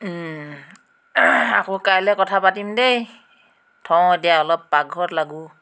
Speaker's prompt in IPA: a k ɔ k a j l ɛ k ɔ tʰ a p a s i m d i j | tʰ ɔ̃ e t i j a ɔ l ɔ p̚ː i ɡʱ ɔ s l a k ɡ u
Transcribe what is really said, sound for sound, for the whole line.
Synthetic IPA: a k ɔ k a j l ɛ k ɔ tʰ a p a t i m d e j | tʰ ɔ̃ e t i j a ɔ l ɔ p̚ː a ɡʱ ɔ t l a ɡ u